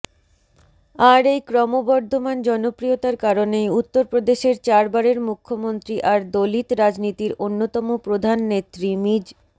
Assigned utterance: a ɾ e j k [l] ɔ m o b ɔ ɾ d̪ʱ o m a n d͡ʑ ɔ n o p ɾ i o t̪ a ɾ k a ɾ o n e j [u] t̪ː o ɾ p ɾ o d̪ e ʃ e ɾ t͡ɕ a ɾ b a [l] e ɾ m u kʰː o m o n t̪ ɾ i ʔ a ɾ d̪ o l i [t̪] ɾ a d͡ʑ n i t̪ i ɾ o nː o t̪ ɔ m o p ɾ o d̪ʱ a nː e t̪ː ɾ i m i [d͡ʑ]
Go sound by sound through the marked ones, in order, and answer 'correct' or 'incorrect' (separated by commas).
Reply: incorrect, correct, incorrect, correct, correct